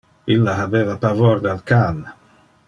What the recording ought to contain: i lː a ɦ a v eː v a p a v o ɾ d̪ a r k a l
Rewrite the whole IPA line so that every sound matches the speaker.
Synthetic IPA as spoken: i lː a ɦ a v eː v a p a v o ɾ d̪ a l k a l